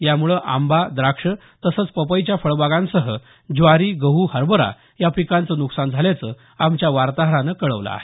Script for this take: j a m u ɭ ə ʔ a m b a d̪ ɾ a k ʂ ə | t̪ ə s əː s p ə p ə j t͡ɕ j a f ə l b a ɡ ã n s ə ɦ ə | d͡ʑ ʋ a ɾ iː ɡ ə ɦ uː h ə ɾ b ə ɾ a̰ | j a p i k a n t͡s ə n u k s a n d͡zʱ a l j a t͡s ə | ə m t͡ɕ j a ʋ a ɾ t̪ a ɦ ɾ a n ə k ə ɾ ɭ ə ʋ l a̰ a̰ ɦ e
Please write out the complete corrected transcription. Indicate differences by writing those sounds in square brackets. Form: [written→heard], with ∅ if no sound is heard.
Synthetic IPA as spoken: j a m u ɭ ə ʔ a m b a d̪ ɾ a k ʂ ə | t̪ ə s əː [s→t͡s] p ə p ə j t͡ɕ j a f ə [l→ɭ] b a ɡ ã n s ə ɦ ə | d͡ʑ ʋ a ɾ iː ɡ ə ɦ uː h ə ɾ b ə ɾ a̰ | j a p i k a n t͡s ə n u k s a n d͡zʱ a l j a t͡s ə | [ə→a] m t͡ɕ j a ʋ a ɾ t̪ a ɦ ɾ a n ə k ə [ɾ→∅] ɭ ə ʋ l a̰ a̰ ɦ e